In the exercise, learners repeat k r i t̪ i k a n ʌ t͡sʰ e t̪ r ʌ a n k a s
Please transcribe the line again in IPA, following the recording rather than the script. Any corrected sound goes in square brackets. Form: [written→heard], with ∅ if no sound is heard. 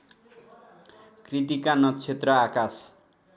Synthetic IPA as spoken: k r i t̪ i k a n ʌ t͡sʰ e t̪ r ʌ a [n→∅] k a s